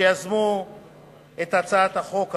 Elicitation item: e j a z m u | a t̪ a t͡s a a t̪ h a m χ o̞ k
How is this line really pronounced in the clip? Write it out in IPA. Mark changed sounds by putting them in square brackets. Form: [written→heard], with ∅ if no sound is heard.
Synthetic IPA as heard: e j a z m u | [a→e] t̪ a t͡s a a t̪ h a [m→∅] χ o̞ k

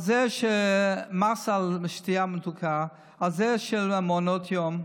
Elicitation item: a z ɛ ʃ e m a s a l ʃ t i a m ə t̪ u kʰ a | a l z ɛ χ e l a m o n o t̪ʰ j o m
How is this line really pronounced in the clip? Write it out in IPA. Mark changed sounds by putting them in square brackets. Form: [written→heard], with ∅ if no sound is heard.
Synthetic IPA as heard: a z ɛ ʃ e m a s a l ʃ t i a m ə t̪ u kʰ a | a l z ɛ [χ→ʃ] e l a m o n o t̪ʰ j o m

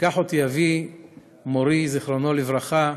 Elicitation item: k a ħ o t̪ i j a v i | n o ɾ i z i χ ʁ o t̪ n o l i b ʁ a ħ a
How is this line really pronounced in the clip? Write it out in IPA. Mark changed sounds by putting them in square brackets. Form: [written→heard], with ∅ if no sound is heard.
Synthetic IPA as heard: k a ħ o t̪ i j a v i | [n→m] o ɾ i z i χ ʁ o [t̪→∅] n o l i [b→v] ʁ a [ħ→χ] a

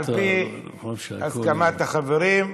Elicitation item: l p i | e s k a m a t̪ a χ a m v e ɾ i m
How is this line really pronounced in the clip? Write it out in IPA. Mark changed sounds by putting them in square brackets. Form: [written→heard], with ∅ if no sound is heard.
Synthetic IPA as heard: l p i | [e→a] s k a m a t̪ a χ a [m→∅] v e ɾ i m

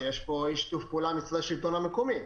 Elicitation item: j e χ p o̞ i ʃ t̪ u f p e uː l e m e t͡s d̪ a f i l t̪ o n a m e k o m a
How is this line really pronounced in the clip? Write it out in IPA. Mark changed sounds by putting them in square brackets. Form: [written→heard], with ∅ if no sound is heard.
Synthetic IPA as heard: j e [χ→ʃ] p o̞ i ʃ t̪ u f p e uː l [e→a] m [e→i] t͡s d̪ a [f→ʃ] i l t̪ o n a m e k o m [a→i]

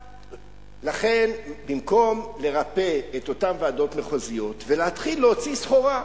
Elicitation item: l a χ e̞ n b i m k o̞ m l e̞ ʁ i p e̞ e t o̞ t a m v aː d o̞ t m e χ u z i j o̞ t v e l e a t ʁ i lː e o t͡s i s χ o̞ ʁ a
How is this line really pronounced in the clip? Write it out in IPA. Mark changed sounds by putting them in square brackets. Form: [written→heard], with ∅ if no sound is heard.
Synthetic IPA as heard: l a χ e̞ n b i m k o̞ m l e̞ ʁ [i→a] p e̞ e t o̞ t a m v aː d o̞ t m e χ [u→o] z i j o̞ t v e l e a t [ʁ→χ] i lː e o t͡s i s χ o̞ ʁ a

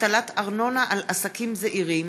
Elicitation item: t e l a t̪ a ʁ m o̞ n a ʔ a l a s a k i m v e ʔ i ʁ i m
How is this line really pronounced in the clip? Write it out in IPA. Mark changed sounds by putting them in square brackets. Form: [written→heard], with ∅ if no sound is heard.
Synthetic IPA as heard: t [e→a] l a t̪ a ʁ [m→n] o̞ n a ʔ a l a s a k i m [v→z] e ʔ i ʁ i m

